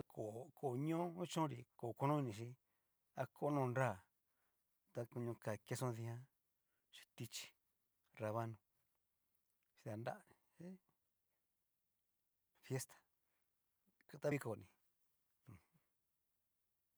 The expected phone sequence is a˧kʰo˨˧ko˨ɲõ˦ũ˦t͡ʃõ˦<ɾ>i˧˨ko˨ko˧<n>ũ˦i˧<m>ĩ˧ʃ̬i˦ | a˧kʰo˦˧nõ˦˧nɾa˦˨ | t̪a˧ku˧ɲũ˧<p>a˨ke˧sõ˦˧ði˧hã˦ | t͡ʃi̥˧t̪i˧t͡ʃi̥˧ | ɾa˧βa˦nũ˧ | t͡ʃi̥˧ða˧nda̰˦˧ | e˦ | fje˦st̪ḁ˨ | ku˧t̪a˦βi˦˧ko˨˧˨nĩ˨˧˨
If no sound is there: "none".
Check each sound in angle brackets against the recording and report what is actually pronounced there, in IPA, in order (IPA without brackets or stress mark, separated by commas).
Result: ɾ, n, n, k